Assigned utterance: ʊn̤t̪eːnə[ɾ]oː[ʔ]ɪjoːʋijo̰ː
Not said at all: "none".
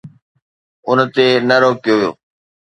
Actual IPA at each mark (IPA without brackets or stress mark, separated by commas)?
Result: ɾ, k